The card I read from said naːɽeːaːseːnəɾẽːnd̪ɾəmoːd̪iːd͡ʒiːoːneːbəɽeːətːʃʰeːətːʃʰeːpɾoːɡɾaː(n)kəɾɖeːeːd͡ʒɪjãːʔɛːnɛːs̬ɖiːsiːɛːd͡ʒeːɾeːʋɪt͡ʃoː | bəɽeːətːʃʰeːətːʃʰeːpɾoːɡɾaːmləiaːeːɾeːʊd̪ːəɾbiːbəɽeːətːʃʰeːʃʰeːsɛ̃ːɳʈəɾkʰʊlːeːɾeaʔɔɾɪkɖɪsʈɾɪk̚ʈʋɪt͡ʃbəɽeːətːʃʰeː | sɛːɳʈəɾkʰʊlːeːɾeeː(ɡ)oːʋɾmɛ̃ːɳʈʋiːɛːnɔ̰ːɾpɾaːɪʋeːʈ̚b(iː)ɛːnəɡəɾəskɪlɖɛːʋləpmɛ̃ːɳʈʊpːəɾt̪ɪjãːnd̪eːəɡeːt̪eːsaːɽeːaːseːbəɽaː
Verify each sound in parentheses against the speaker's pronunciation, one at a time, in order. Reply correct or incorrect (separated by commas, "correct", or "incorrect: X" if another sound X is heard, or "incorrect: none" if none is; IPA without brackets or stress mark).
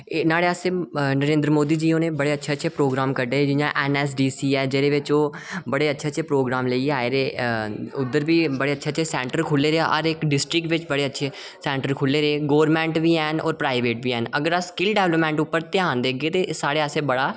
incorrect: m, correct, correct